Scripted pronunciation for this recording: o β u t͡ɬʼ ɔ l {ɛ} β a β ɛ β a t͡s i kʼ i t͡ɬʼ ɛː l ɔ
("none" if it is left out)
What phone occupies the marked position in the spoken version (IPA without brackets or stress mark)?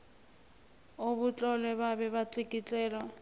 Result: ɛ